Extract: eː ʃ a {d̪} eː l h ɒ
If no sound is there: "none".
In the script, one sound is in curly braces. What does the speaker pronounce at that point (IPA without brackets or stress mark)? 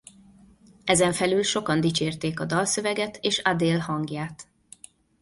d̪